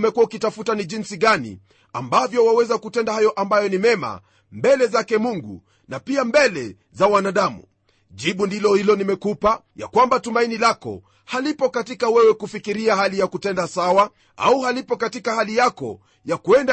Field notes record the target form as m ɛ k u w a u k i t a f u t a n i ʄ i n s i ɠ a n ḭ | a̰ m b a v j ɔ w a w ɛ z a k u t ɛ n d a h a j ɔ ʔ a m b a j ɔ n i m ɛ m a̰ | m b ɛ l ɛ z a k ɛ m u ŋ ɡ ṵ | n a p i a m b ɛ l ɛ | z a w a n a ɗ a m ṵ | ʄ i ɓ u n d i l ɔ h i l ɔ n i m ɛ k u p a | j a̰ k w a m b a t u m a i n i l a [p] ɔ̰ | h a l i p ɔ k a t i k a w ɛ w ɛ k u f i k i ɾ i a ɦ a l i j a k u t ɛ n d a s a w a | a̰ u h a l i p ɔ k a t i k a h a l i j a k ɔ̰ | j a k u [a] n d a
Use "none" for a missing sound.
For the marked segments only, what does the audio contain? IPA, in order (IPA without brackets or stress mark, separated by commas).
k, ɛ